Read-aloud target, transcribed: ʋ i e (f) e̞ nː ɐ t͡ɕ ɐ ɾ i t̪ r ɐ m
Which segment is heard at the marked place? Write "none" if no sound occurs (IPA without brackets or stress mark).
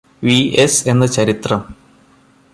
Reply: s